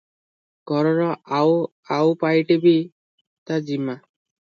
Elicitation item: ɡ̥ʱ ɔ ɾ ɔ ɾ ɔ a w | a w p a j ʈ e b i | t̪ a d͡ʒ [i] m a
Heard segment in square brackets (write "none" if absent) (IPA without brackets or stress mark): i